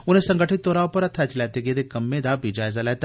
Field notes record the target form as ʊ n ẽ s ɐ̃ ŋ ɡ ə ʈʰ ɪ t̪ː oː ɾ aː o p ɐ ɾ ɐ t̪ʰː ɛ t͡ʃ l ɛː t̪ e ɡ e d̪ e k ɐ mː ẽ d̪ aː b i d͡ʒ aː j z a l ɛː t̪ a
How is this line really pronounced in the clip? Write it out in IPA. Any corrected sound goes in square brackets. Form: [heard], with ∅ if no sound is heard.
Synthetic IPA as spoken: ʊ n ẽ s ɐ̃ ŋ ɡ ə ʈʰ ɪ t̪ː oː ɾ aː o p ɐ ɾ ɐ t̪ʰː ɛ t͡ʃ l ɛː t̪ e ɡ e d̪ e k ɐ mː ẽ d̪ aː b i d͡ʒ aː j z a l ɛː t̪ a